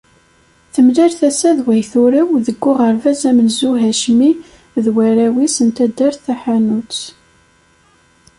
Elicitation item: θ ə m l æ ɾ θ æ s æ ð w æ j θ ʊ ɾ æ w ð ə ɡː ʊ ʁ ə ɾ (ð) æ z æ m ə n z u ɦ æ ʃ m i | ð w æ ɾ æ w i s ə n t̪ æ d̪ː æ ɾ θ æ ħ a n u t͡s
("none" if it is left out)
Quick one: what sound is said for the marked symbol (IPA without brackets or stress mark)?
v